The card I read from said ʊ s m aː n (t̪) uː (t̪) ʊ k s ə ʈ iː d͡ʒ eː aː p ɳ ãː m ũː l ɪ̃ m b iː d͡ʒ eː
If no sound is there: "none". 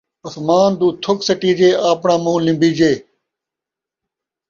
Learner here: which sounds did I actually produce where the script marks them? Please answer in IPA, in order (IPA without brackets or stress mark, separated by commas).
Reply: d̪, t̪ʰ